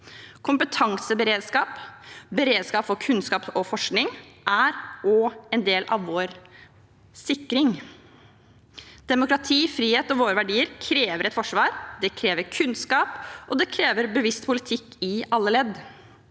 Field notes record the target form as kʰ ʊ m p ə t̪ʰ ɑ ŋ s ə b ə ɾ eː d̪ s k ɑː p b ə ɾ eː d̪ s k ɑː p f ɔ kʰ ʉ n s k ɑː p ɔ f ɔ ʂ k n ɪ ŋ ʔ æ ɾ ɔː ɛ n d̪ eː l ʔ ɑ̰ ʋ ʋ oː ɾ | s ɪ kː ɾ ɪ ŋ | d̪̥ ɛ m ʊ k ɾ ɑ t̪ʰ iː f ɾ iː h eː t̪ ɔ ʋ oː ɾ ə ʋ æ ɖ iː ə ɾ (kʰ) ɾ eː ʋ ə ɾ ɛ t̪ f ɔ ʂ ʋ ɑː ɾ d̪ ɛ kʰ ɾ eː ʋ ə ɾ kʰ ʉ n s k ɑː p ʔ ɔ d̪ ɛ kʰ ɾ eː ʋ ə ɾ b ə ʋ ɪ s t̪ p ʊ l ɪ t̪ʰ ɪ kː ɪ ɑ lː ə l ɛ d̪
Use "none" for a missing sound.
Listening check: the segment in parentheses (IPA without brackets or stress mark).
kʰ